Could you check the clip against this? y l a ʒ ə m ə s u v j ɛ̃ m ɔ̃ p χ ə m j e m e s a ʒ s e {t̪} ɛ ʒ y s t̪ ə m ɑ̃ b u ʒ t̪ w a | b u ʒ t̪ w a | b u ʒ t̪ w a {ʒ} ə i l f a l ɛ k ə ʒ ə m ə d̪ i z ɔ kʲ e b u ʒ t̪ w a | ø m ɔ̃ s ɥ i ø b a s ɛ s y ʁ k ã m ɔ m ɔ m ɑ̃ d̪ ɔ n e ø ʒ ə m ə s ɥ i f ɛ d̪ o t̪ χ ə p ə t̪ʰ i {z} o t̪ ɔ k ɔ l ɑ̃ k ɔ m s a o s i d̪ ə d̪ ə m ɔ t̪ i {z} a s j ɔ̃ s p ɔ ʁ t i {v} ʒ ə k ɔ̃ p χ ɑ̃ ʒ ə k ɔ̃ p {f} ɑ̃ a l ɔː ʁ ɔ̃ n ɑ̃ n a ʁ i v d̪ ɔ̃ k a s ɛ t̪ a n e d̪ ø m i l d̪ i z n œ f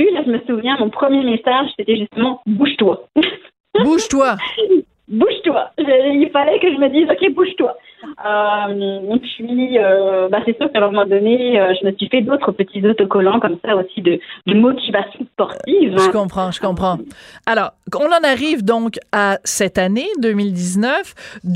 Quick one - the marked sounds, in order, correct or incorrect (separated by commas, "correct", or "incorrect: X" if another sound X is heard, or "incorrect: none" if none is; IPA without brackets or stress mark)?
correct, correct, correct, incorrect: v, correct, incorrect: χ